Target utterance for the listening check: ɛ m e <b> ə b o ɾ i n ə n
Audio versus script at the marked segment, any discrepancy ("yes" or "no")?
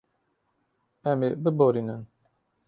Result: no